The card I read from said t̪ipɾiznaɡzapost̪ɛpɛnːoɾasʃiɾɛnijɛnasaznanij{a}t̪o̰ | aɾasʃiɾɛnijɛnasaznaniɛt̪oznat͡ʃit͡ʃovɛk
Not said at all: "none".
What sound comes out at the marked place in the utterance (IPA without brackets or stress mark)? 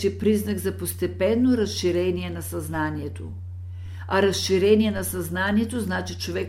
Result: ɛ